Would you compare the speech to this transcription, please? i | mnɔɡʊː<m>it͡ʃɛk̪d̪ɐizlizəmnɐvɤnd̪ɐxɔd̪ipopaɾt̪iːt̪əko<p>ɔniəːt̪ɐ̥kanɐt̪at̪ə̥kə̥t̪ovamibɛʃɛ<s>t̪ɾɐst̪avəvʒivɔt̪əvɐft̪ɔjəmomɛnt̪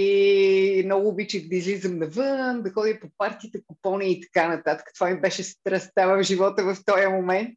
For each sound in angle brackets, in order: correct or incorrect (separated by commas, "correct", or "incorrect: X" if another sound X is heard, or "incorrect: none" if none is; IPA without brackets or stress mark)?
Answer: incorrect: b, correct, correct